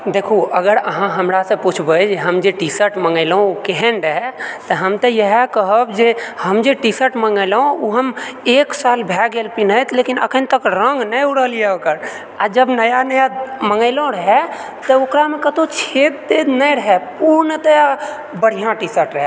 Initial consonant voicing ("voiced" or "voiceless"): voiced